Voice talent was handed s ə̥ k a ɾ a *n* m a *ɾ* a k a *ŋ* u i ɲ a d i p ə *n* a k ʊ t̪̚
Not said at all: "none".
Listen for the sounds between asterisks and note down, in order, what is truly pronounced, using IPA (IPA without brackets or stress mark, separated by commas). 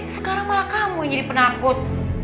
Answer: ŋ, l, m, n